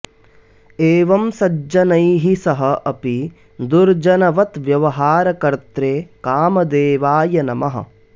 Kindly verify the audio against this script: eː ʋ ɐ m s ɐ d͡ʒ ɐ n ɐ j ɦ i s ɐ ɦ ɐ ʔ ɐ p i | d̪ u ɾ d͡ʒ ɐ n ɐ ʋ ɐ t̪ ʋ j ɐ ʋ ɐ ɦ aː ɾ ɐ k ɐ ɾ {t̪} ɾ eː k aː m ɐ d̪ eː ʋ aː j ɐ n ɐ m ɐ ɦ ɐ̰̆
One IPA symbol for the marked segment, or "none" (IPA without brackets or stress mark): t̪